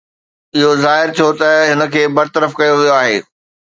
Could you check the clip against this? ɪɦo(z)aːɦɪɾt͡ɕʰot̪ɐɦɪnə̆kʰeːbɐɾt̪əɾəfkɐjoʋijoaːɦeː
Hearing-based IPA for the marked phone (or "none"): z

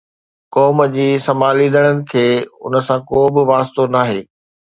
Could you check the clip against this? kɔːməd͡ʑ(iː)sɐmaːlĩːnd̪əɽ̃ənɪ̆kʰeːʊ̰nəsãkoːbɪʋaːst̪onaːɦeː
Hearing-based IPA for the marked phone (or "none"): iː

